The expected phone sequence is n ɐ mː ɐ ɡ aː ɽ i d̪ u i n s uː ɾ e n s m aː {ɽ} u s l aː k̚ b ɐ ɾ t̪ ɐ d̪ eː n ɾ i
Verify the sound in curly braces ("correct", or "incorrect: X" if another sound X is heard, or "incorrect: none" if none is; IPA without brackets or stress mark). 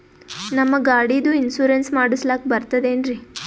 correct